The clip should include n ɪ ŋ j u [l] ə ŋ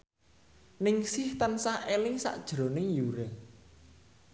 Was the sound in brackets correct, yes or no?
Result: no